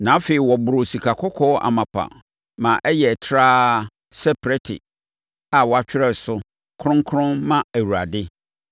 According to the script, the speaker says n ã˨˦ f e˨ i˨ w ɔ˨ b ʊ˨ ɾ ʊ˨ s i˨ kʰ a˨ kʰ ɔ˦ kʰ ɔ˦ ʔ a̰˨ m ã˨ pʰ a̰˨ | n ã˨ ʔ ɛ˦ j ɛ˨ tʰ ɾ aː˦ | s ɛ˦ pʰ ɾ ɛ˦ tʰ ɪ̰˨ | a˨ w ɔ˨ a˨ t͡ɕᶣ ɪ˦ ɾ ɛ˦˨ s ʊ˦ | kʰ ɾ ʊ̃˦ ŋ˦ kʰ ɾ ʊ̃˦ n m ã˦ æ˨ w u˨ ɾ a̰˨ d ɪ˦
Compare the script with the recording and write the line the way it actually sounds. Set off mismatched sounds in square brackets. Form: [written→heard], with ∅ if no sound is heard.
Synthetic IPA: n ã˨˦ f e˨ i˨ w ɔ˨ b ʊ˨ ɾ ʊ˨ s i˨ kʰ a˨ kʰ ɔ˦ kʰ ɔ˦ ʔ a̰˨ m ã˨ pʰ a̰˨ | [n→m] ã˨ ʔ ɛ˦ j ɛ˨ tʰ ɾ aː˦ | s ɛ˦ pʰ ɾ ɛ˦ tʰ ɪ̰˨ | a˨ w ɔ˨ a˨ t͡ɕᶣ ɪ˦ ɾ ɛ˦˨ s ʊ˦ | kʰ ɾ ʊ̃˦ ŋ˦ kʰ ɾ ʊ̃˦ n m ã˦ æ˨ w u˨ ɾ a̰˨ d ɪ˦